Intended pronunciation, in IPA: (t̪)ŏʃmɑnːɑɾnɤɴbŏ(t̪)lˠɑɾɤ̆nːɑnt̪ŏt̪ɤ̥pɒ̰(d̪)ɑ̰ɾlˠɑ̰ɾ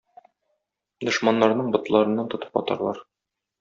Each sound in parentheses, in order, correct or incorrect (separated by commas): incorrect, correct, incorrect